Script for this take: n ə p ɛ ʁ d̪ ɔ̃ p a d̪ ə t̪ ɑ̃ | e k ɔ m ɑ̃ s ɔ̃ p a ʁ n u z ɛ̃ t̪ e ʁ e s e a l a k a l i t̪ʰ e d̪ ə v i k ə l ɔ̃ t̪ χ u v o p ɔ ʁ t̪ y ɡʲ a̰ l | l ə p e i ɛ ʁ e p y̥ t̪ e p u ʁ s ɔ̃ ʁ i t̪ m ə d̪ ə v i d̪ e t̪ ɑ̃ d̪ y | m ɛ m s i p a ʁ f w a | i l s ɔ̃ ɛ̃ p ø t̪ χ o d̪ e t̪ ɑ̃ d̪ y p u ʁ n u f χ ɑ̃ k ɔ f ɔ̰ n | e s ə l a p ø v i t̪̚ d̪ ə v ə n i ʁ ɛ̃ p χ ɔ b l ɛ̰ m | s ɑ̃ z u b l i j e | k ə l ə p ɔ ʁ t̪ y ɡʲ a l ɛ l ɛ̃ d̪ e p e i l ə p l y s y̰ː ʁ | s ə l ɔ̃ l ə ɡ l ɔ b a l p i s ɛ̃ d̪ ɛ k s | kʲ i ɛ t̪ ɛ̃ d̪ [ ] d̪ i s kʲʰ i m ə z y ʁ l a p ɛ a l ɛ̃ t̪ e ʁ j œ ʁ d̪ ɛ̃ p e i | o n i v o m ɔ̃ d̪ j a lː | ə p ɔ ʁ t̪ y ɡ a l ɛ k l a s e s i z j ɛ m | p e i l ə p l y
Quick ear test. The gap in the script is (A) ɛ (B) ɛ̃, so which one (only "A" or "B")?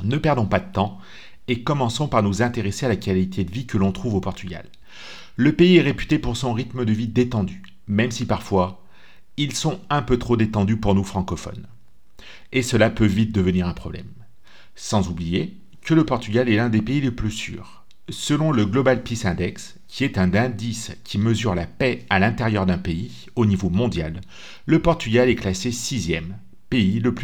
B